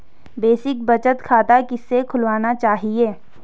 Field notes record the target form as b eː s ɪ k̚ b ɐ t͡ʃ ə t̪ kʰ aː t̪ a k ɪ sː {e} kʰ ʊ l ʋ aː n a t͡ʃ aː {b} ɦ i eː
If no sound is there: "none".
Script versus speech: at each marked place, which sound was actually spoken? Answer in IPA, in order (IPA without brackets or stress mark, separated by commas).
e, none